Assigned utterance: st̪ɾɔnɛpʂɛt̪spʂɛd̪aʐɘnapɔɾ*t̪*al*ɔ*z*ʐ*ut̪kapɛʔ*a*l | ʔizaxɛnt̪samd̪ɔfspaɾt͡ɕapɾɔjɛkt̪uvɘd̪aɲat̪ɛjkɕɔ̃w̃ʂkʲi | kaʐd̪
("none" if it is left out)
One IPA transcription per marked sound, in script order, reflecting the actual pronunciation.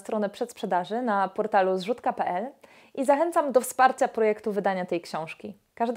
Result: t̪, u, ʐ, ɛ

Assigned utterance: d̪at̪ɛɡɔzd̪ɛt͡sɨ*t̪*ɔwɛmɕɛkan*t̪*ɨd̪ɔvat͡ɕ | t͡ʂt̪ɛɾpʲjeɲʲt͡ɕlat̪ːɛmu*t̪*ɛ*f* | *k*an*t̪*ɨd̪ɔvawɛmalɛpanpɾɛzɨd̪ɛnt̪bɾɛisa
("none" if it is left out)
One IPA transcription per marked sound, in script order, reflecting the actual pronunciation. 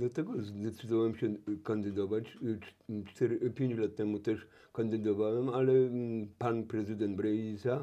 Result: d̪, d̪, t̪, ʂ, k, d̪

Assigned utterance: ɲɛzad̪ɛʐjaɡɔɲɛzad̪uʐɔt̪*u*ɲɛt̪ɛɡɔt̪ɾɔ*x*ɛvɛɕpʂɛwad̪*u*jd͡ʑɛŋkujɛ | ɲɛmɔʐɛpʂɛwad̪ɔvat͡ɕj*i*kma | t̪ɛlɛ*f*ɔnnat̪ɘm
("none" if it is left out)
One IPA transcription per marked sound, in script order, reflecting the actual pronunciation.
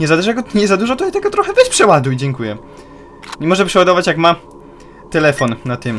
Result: ɔ, x, u, a, f

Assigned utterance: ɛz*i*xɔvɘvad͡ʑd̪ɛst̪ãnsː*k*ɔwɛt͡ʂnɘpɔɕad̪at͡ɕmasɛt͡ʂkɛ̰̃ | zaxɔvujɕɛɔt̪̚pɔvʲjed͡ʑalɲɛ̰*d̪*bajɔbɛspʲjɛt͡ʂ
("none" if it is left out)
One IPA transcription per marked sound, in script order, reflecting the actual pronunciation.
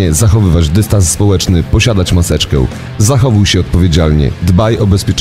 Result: a, p, d̪

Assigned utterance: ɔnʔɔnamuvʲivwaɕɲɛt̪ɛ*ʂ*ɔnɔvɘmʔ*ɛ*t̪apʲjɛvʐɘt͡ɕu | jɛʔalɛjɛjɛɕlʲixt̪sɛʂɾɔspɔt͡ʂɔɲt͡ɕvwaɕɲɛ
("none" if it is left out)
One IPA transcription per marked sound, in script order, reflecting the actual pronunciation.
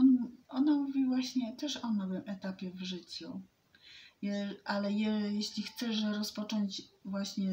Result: ʂ, ɛ

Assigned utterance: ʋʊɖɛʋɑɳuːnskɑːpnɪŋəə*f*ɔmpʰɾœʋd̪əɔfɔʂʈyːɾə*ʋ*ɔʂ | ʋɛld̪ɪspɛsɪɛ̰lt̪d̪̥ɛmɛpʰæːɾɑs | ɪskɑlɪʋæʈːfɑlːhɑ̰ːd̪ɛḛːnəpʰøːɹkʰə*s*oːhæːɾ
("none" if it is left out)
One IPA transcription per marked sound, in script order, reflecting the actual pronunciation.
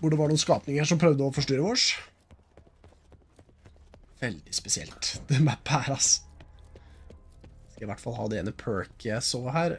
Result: ʂ, ʋ, s

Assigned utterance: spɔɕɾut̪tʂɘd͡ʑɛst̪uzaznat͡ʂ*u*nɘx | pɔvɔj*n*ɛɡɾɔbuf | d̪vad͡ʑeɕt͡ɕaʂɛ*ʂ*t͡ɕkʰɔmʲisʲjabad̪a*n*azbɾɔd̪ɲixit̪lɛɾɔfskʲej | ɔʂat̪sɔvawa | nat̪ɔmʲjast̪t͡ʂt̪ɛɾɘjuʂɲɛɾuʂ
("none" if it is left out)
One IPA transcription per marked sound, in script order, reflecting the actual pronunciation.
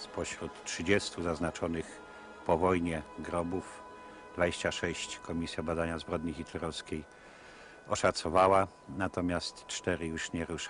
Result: ɔ, ɲ, ɕ, ɲ

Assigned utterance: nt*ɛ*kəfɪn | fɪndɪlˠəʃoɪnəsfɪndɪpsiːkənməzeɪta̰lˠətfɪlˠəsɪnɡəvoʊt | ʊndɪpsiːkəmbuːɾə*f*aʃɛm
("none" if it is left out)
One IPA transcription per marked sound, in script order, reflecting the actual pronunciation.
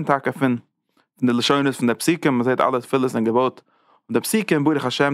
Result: a, χ

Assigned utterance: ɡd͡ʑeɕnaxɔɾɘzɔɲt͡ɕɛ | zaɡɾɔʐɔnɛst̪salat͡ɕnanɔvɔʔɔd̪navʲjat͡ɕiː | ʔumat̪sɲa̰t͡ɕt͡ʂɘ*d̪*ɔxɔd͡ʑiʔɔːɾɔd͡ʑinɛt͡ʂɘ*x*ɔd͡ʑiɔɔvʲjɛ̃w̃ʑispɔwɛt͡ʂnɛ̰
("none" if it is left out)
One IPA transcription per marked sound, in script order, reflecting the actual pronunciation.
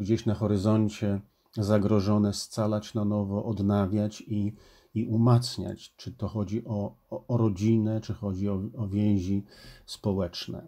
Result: t̪, x

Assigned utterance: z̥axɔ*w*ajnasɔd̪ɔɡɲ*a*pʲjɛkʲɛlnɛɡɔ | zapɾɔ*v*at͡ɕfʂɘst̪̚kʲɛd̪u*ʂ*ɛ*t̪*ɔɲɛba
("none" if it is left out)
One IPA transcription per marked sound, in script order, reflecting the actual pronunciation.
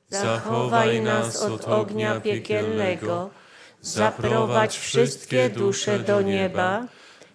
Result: v, a, v, ʂ, d̪

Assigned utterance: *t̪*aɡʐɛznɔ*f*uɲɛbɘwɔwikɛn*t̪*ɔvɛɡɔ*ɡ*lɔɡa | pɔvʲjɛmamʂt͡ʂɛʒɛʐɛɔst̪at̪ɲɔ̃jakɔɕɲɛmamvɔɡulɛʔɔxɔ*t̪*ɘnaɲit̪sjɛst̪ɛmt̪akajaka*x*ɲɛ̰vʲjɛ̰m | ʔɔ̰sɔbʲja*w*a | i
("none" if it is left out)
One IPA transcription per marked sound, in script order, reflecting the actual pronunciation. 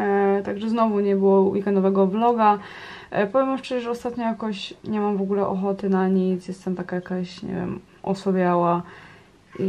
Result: t̪, v, d̪, b, t̪, ɕ, w

